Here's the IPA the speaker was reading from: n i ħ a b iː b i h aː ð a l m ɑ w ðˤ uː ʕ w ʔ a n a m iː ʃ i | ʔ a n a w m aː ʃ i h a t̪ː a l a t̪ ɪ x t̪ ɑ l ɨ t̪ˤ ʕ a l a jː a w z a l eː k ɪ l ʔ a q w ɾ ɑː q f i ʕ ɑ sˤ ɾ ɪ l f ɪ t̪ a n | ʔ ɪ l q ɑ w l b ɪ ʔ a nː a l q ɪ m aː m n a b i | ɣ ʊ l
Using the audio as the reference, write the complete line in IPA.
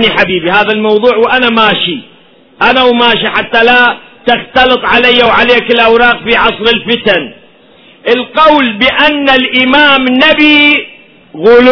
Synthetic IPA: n i ħ a b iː b i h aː ð a l m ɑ w ðˤ uː ʕ w ʔ a n a m aː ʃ i | ʔ a n a w m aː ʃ i ħ a t̪ː a l a t̪ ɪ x t̪ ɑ l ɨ t̪ˤ ʕ a l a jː a w ʕ a l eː k ɪ l ʔ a w ɾ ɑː q f i ʕ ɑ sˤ ɾ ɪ l f ɪ t̪ a n | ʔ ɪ l q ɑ w l b ɪ ʔ a nː a l ʔ ɪ m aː m n a b i | ɣ ʊ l